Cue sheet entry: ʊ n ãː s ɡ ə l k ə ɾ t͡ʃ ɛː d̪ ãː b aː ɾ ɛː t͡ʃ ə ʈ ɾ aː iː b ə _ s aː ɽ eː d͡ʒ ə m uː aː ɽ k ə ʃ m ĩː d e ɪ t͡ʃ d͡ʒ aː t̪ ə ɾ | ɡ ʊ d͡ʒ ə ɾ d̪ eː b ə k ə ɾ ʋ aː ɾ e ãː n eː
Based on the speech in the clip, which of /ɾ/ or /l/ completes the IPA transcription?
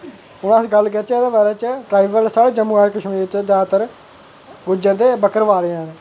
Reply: l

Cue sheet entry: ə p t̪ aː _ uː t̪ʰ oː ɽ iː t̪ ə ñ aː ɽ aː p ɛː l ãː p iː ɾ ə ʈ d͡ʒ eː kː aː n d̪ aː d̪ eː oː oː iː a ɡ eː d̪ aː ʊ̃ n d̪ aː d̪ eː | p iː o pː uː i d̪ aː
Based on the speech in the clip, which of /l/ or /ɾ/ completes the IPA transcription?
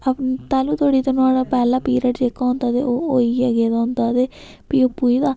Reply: l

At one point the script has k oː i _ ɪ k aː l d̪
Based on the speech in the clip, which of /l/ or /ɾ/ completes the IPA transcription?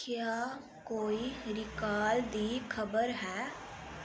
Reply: ɾ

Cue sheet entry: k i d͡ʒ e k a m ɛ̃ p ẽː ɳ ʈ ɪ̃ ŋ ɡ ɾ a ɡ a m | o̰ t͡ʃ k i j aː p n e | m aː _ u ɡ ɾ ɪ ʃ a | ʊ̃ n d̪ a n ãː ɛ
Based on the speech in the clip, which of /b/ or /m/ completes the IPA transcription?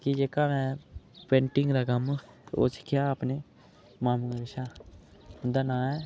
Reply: m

